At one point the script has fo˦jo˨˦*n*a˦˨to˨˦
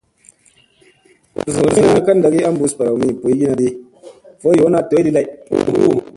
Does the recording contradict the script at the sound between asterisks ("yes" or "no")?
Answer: no